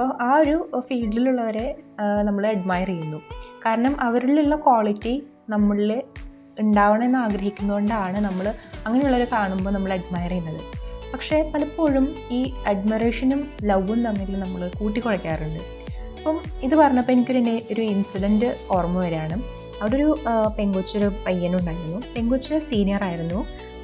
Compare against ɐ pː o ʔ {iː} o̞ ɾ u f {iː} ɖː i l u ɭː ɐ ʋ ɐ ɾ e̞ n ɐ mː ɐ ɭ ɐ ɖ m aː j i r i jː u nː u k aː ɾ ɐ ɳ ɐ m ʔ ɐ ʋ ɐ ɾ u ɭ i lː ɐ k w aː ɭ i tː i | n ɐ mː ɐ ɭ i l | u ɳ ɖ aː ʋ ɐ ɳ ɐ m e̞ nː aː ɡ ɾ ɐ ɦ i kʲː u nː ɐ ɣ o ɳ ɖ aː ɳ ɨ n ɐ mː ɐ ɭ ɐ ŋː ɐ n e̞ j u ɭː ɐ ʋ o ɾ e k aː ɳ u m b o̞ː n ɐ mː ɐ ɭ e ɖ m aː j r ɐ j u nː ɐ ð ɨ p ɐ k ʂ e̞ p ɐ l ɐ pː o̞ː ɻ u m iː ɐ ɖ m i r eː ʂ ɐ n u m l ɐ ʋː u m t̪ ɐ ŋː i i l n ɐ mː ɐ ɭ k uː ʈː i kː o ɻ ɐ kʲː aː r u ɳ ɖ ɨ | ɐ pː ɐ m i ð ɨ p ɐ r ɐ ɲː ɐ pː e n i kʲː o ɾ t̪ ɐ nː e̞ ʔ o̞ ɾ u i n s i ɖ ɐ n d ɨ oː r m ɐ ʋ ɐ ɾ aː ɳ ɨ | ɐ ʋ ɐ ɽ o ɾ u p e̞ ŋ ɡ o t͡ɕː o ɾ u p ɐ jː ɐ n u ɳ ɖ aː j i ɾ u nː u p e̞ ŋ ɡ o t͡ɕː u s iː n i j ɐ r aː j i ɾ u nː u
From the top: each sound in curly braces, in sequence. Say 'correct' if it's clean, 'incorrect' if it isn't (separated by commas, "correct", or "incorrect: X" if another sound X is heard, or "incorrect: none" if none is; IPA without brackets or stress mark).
incorrect: aː, correct